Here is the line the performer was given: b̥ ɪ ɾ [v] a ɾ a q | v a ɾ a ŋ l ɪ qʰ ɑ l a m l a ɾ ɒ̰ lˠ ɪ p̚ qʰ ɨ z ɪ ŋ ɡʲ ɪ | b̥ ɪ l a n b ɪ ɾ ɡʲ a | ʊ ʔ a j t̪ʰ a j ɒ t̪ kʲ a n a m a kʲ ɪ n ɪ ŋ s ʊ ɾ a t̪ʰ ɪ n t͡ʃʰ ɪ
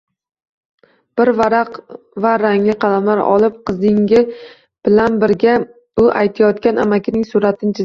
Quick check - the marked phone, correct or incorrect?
correct